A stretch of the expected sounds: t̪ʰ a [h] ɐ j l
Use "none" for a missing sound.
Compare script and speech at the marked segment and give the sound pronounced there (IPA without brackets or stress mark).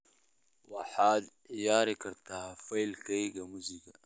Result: f